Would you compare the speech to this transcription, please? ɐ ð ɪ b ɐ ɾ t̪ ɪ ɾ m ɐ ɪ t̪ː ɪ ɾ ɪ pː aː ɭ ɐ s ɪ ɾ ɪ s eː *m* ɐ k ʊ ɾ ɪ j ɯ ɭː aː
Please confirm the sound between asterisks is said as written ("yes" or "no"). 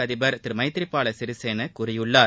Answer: no